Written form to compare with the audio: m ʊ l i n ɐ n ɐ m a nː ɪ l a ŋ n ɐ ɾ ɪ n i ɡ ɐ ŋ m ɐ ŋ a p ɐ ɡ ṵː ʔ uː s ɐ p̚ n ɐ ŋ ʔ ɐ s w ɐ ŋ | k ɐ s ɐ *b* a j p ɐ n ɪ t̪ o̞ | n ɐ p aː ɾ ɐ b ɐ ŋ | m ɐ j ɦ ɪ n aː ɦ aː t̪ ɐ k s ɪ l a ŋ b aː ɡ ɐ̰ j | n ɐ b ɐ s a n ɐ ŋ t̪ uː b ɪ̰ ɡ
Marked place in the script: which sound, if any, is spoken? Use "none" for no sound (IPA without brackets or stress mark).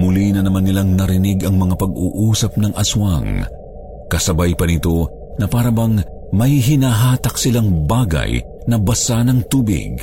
b